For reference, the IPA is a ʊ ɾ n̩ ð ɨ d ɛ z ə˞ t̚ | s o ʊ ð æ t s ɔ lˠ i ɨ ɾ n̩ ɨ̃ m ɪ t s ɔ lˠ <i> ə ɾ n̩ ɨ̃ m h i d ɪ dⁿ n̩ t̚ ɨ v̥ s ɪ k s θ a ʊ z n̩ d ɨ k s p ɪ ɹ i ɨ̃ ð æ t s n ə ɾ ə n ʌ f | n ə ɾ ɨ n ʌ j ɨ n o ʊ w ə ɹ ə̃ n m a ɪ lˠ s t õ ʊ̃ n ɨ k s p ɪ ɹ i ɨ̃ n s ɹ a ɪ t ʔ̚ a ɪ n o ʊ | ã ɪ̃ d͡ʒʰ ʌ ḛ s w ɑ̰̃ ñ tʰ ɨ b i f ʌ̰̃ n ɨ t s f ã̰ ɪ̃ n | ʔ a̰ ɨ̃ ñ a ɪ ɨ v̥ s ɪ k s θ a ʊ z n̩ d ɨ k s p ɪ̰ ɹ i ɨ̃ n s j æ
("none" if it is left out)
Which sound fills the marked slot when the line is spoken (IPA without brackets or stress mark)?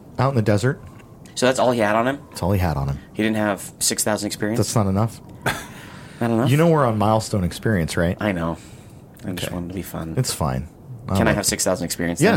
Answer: i